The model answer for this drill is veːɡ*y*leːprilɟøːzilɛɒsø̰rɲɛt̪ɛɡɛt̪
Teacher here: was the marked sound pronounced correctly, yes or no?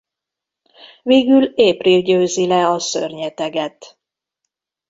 yes